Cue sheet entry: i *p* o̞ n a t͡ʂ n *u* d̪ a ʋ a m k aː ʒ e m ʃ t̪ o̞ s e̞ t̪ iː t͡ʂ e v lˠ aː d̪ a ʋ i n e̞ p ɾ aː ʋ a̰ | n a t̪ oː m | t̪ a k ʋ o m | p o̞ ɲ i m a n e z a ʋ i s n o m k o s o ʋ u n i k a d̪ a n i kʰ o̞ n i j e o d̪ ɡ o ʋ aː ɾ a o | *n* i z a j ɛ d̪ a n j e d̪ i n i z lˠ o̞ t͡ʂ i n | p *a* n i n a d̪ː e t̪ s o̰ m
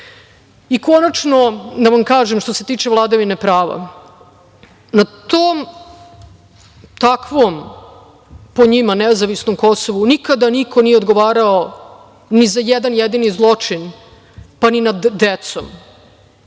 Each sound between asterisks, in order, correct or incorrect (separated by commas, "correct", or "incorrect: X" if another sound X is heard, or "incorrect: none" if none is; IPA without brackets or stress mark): incorrect: k, incorrect: o, correct, correct